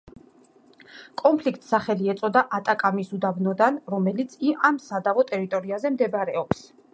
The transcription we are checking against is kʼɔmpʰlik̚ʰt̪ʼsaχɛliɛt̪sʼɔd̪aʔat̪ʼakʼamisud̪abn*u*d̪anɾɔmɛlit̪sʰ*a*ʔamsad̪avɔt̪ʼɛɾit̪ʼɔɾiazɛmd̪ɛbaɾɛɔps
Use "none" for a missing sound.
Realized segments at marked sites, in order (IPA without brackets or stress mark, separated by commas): ɔ, i